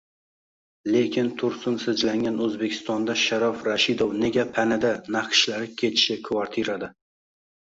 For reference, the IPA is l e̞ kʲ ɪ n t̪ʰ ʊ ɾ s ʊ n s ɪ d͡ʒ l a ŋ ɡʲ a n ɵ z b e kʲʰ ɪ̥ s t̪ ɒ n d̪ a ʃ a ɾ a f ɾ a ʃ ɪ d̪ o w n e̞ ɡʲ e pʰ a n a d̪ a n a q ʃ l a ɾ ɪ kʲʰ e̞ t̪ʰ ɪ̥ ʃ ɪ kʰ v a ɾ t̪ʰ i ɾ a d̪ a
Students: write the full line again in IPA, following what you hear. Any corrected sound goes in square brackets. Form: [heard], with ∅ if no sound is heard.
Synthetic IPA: l e̞ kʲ ɪ n t̪ʰ ʊ ɾ s ʊ n s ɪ d͡ʒ l a ŋ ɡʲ a n ɵ z b e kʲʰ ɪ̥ s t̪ ɒ n d̪ a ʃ a ɾ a f ɾ a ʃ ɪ d̪ o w n e̞ ɡʲ [a] pʰ a n a d̪ a n a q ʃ l a ɾ ɪ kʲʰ e̞ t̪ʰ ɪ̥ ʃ ɪ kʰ v a ɾ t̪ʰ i ɾ a d̪ a